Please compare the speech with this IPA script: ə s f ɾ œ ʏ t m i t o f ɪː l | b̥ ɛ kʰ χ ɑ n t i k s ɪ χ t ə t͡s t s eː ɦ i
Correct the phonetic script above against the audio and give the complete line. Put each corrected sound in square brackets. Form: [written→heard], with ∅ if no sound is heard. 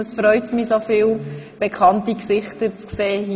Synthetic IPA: ə s f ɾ œ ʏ t m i [t→s] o f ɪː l | b̥ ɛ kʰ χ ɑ n t i k s ɪ χ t ə t͡s [t→k] s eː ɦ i